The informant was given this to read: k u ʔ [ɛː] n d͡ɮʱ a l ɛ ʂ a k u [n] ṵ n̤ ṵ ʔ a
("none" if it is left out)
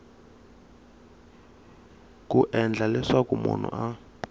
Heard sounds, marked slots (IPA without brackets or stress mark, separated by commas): ɛ, m